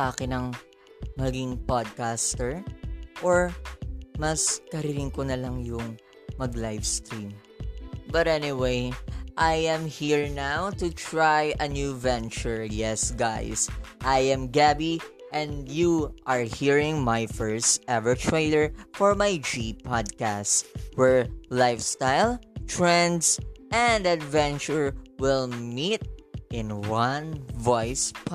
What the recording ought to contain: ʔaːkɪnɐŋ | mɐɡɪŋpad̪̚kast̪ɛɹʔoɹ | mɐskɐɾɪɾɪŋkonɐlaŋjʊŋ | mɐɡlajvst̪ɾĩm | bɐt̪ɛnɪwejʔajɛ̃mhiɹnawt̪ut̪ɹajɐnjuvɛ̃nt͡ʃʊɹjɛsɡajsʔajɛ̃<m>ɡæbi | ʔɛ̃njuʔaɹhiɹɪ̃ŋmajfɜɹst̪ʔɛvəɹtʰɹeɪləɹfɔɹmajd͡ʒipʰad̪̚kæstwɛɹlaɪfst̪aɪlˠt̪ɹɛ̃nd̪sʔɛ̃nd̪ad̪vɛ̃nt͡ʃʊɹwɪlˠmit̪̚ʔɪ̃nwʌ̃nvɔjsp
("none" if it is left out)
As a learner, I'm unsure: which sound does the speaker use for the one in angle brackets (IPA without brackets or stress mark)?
m